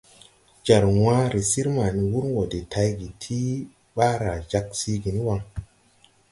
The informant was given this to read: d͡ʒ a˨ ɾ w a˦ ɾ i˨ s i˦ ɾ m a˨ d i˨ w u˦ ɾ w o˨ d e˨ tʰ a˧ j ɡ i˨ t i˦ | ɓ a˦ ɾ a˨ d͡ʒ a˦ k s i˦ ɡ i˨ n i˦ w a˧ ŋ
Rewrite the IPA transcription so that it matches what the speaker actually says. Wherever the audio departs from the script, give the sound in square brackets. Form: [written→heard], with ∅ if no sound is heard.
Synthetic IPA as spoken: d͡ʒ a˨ ɾ w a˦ ɾ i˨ s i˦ ɾ m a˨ [d→n] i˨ w u˦ ɾ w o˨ d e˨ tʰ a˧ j ɡ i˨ [t→tʰ] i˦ | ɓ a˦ ɾ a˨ d͡ʒ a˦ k s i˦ ɡ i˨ n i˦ w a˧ ŋ